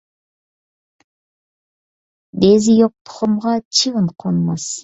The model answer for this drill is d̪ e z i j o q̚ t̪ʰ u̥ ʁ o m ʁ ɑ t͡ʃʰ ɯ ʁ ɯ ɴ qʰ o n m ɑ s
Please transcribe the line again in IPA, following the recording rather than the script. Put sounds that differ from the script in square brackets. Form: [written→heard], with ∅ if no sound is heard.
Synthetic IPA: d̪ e z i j o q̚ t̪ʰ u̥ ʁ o m ʁ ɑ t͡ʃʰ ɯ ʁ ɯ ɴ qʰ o n m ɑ s